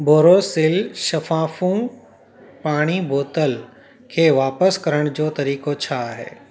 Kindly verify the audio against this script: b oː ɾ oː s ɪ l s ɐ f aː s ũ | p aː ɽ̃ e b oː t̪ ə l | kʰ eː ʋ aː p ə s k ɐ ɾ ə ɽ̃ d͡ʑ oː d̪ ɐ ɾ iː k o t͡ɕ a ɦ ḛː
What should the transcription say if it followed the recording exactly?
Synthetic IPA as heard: b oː ɾ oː s ɪ l ʃ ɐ f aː f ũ | p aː ɽ̃ i b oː t̪ ə l | kʰ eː ʋ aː p ə s k ɐ ɾ ə ɽ̃ d͡ʑ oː t̪ ɐ ɾ iː k o t͡ɕʰ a ɦ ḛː